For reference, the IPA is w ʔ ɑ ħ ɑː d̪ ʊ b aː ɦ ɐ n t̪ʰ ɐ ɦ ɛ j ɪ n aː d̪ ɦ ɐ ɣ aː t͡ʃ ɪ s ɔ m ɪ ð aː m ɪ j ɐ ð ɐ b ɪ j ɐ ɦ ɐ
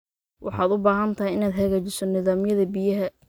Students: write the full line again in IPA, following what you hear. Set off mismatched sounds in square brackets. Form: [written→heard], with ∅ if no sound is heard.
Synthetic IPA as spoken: w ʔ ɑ ħ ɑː d̪ ʊ b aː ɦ ɐ n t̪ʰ ɐ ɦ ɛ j ɪ n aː d̪ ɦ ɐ ɣ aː t͡ʃ ɪ s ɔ [m→n] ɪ ð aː m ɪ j ɐ ð ɐ b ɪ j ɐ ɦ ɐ